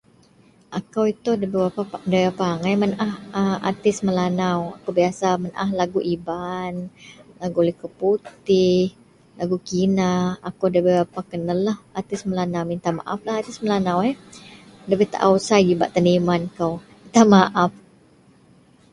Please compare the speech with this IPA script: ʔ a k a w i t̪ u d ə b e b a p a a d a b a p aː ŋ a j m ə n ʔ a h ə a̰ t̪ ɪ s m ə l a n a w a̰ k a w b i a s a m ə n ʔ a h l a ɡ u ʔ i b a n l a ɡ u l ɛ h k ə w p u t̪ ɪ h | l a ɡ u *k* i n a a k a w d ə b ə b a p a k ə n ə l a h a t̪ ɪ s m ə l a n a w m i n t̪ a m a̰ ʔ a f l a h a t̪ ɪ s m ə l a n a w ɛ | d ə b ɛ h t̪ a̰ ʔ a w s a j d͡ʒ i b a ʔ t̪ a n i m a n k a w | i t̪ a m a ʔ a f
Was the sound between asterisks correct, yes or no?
yes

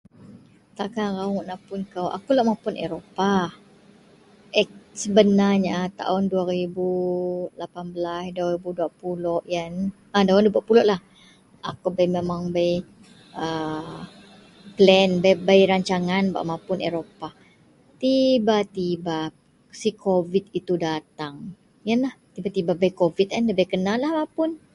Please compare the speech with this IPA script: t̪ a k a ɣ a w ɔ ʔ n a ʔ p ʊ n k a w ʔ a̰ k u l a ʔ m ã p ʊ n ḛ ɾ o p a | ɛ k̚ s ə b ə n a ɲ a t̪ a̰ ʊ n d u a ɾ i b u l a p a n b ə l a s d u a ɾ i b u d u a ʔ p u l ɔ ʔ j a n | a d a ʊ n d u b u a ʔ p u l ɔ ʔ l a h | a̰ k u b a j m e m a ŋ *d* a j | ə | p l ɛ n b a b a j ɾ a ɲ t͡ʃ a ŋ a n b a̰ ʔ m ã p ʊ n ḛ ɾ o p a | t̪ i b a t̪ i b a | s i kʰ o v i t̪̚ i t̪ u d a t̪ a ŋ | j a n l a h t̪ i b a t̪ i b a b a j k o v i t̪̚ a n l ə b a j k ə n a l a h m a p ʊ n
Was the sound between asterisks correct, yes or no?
no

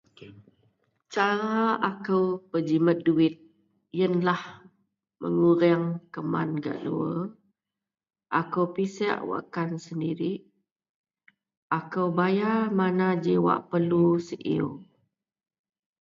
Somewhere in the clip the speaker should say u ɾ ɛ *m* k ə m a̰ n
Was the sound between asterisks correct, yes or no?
no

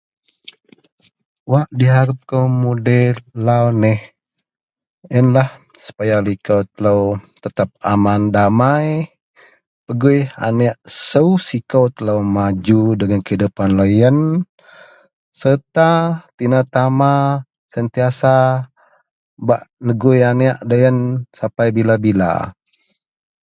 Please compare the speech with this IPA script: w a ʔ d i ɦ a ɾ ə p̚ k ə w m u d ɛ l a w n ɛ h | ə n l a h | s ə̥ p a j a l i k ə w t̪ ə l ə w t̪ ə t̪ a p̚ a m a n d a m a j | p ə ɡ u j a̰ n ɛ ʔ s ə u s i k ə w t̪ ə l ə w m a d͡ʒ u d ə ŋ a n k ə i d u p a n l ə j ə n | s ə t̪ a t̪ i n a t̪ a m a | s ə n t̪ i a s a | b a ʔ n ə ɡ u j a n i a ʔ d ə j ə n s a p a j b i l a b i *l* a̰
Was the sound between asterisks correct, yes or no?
yes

